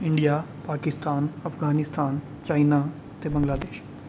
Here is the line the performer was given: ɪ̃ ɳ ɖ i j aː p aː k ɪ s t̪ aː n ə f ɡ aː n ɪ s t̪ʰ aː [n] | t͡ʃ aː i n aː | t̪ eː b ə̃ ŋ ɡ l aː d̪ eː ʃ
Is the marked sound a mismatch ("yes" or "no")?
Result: no